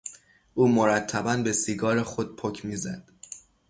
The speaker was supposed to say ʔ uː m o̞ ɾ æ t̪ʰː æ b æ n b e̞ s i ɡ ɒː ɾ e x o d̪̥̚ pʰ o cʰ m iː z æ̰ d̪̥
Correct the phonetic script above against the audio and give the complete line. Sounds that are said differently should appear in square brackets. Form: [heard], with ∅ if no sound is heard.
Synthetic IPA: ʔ uː m o̞ ɾ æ t̪ʰː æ b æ n b e̞ s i ɡ ɒː ɾ e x o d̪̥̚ pʰ o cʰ m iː z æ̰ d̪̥